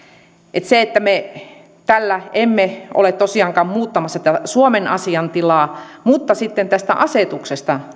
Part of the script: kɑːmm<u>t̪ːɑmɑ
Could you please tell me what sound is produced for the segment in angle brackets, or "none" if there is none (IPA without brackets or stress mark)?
uː